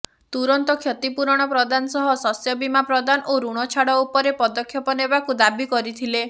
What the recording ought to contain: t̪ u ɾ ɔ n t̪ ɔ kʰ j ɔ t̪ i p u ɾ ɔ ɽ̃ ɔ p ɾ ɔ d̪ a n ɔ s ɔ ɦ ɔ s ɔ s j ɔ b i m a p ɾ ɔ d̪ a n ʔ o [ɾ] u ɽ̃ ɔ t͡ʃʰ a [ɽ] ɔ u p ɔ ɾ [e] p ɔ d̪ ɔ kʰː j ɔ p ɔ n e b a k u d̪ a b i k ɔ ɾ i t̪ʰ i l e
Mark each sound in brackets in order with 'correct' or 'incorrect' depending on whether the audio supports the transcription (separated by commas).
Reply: correct, correct, correct